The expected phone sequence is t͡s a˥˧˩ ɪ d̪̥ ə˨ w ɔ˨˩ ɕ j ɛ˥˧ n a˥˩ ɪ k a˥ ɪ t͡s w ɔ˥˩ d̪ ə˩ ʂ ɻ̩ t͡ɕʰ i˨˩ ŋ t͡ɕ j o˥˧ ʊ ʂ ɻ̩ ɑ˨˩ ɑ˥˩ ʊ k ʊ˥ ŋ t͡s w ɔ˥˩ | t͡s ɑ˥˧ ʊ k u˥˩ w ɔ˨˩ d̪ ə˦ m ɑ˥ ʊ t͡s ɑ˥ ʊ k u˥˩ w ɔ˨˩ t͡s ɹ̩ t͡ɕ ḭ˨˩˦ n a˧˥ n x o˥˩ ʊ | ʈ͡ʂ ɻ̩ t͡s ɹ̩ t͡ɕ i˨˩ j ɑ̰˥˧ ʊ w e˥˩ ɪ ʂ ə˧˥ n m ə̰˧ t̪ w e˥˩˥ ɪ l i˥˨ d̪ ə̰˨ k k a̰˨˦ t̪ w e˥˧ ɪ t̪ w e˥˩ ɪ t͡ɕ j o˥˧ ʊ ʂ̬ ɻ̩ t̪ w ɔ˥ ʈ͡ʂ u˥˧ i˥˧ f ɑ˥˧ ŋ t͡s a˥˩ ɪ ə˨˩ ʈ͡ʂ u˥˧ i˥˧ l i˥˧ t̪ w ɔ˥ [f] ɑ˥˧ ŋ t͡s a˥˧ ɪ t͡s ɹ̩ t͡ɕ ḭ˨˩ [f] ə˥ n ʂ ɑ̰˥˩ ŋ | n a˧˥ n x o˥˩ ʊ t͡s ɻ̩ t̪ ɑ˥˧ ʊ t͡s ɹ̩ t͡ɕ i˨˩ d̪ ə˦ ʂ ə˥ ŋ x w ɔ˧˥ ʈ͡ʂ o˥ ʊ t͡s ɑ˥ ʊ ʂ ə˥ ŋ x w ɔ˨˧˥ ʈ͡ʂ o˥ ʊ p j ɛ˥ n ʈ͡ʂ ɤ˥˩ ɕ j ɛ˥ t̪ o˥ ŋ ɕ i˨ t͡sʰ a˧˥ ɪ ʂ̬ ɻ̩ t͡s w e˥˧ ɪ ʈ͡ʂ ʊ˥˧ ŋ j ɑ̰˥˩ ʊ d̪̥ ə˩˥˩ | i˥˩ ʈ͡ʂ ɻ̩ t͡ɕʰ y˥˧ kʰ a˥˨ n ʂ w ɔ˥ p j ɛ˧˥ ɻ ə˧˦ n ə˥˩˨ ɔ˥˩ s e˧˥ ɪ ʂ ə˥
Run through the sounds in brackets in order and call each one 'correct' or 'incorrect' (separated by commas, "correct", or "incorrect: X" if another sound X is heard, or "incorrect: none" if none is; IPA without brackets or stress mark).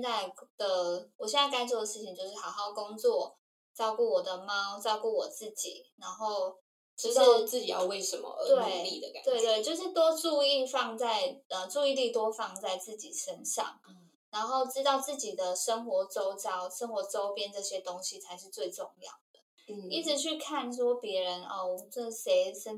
correct, incorrect: ʂ